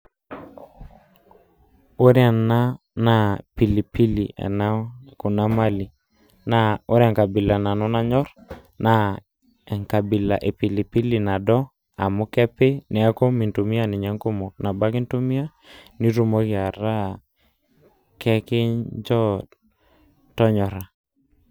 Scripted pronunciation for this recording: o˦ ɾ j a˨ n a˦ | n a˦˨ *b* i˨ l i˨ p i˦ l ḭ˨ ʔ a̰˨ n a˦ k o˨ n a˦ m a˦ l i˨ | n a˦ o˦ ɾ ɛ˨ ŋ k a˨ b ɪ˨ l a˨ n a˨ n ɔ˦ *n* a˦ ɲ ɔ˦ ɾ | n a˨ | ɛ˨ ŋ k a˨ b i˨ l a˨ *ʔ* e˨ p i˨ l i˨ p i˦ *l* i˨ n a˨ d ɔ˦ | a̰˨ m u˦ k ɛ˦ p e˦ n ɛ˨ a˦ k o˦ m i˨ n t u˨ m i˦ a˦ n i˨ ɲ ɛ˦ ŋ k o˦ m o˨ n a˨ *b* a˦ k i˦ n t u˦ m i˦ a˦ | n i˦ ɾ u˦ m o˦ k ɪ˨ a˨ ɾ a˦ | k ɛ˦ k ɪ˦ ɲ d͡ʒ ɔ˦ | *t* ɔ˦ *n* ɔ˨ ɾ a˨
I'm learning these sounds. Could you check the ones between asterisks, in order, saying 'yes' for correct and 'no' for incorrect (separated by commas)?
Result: no, yes, yes, yes, yes, yes, no